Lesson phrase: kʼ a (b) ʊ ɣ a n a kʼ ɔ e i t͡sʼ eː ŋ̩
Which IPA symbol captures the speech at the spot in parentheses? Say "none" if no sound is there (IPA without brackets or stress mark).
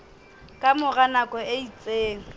m